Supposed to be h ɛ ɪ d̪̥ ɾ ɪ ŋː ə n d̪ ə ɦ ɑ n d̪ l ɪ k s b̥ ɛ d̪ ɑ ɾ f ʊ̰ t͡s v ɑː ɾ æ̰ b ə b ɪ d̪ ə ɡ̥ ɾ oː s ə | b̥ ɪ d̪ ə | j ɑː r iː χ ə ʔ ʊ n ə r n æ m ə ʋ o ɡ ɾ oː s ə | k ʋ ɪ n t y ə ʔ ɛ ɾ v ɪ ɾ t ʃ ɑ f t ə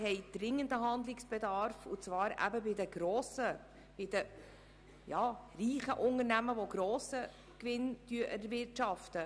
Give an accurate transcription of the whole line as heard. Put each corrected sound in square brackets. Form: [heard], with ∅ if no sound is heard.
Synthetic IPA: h ɛ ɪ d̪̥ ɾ ɪ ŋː ə n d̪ ə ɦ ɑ n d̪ l ɪ k s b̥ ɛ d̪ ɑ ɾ f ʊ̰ t͡s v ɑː ɾ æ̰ b ə b ɪ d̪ ə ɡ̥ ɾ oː s ə | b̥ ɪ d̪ ə | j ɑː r iː χ ə ʔ ʊ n ə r n æ m ə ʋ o ɡ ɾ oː s ə | k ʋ ɪ n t y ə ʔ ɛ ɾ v ɪ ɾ t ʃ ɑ f t ə